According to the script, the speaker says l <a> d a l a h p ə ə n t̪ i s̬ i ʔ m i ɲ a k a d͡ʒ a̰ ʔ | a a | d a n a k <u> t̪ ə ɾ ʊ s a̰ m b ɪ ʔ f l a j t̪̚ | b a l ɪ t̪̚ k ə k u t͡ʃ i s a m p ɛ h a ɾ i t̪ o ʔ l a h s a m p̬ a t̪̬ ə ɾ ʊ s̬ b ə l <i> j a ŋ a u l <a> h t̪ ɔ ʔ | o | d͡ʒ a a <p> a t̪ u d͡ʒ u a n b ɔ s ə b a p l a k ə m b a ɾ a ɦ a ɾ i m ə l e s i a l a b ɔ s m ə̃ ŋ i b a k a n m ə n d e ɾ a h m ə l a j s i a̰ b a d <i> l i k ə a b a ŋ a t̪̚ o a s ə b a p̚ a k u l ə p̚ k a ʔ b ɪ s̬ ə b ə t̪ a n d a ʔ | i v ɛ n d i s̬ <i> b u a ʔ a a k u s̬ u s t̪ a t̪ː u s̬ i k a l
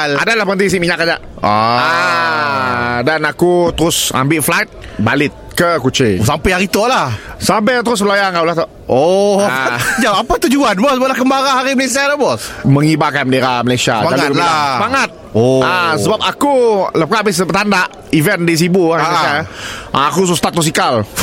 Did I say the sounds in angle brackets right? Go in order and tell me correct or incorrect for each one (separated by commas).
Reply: correct, correct, incorrect, correct, correct, incorrect, correct